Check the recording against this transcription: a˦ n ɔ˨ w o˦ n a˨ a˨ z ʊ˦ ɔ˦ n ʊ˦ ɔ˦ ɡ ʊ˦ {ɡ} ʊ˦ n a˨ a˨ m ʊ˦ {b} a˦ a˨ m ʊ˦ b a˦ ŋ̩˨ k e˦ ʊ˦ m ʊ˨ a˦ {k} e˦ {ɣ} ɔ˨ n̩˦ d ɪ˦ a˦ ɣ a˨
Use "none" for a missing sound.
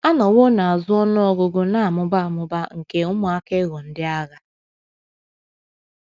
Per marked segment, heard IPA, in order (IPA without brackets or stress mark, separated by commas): ɡ, b, k, ɣ